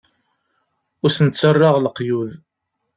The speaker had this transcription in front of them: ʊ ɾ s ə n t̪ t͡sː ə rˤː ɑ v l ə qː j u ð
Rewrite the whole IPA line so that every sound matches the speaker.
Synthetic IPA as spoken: ʊ ɾ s ə n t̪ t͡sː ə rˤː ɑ ʁ l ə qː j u ð